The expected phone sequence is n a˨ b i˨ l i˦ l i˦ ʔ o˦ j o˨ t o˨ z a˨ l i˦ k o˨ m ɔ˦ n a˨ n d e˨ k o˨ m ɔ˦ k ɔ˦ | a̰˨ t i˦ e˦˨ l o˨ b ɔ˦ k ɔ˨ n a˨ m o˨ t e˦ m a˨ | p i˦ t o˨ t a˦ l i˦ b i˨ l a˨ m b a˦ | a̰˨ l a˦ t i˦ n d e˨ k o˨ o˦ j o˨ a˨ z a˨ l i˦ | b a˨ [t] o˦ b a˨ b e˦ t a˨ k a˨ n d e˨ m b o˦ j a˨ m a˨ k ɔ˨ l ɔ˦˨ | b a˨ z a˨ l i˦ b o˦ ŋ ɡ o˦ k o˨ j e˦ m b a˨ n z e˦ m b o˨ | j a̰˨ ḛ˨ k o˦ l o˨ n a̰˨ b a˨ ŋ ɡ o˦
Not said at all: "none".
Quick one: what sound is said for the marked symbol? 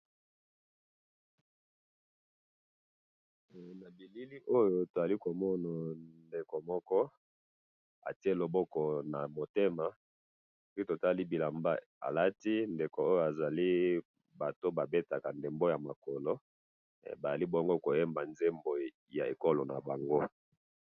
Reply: t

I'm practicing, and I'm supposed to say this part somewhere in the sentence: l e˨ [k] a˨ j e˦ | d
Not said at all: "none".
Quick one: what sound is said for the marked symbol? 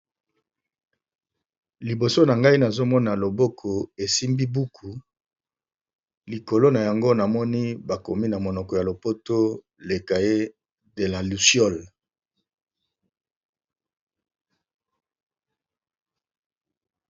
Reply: k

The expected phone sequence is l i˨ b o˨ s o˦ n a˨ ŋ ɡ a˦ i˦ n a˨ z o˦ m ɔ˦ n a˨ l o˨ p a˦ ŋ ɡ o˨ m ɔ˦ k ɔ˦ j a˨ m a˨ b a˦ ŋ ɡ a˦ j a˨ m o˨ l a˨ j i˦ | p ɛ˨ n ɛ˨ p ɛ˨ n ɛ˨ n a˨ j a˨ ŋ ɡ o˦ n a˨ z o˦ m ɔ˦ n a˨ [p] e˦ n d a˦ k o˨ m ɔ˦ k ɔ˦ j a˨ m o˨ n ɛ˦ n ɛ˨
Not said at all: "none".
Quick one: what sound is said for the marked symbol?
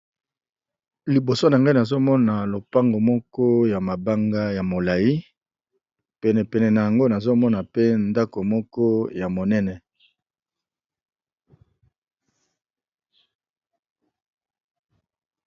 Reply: p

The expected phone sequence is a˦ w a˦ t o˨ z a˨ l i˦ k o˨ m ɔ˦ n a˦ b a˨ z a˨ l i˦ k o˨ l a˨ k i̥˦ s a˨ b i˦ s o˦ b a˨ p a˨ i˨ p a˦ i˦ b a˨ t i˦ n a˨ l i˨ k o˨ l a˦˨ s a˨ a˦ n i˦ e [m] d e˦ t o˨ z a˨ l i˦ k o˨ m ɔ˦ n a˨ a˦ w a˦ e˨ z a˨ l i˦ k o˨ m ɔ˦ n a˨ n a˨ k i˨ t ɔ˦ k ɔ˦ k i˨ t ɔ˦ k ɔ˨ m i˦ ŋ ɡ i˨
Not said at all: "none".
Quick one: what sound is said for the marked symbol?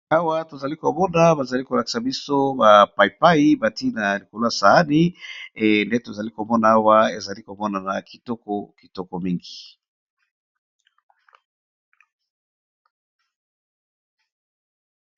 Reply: n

